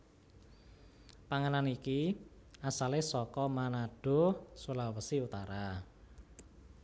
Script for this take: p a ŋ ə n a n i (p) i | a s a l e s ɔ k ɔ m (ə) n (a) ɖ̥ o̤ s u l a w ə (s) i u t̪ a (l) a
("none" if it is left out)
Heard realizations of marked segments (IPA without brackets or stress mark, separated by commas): k, a, a, s, ɾ